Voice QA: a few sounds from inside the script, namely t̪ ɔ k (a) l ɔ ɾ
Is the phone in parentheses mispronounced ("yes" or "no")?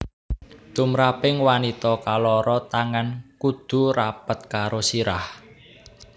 no